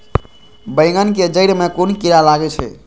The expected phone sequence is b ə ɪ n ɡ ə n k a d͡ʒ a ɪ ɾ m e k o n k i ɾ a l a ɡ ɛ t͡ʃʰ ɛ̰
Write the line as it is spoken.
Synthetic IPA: b ə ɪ ŋ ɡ ə n k e d͡ʒ ə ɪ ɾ m e k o n k i ɾ a l a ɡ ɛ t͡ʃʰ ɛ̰